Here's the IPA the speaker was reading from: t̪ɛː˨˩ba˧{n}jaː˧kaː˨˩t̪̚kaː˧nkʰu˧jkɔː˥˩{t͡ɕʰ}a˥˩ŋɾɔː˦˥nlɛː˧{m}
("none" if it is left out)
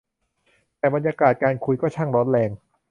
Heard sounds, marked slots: n, t͡ɕʰ, ŋ

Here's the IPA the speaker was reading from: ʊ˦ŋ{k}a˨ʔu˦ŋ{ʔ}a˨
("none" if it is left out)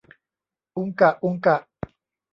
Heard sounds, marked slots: k, k

